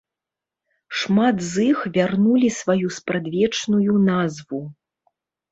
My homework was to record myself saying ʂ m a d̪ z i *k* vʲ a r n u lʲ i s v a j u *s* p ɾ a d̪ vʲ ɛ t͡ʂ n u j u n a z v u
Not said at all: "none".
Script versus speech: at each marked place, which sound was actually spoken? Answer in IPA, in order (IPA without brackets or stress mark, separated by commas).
x, s